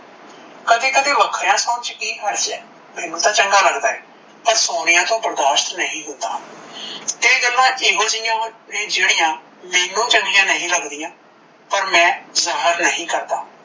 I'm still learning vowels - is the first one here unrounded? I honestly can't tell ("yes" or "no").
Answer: yes